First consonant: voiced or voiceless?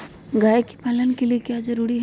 voiced